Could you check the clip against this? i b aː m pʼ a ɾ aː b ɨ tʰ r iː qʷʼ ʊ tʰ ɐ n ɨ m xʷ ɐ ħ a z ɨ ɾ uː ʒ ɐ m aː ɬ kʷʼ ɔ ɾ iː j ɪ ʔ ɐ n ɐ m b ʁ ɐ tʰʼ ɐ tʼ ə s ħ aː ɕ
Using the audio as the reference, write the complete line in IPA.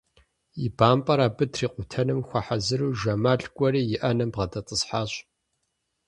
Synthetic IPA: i b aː m pʼ ɐ ɾ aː b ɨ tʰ r iː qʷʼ ʊ tʰ ɐ n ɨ m xʷ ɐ ħ a z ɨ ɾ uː ʒ ɐ m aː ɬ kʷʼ ɔ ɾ iː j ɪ ʔ ɐ n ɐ m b ʁ ɐ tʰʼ ɐ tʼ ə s ħ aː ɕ